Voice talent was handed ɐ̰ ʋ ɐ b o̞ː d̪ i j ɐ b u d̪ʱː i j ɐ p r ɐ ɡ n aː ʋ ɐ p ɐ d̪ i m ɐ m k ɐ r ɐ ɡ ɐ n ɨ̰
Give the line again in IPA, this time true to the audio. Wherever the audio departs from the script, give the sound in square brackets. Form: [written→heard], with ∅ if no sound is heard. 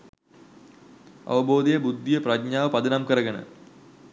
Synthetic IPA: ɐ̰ ʋ ɐ b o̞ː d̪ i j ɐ b u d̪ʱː i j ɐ p r ɐ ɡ [n→ɲ] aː ʋ ɐ p ɐ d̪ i [m→n] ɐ m k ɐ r ɐ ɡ ɐ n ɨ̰